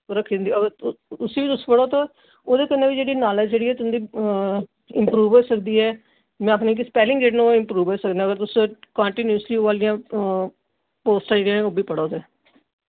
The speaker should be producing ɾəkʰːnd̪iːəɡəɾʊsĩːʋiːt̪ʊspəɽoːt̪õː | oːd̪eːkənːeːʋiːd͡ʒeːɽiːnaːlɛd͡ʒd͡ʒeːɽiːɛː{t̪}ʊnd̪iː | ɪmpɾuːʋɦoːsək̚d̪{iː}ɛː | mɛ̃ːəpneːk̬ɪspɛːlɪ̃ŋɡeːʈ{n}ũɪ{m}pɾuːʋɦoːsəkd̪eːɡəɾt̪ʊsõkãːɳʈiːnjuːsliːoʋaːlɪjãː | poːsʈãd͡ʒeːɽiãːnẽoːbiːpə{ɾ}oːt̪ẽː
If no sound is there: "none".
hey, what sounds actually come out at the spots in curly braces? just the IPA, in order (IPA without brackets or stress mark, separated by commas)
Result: t̪, iː, n, m, ɽ